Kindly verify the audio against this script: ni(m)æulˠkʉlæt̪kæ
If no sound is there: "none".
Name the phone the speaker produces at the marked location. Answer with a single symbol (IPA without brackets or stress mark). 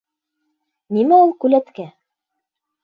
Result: m